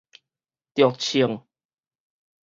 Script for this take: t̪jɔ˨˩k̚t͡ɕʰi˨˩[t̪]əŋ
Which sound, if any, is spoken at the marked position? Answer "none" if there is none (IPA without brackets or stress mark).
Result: none